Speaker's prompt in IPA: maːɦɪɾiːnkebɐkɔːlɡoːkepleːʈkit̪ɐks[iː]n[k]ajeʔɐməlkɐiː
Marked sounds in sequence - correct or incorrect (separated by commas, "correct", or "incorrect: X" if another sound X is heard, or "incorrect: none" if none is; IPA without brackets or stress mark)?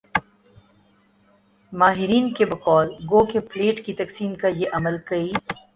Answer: correct, correct